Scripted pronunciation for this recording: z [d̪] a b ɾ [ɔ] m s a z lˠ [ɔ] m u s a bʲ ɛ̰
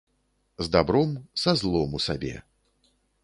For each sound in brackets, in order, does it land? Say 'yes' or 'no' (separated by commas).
yes, yes, yes